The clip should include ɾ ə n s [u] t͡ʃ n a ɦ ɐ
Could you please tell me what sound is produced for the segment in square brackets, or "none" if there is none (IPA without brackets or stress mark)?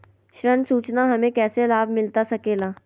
uː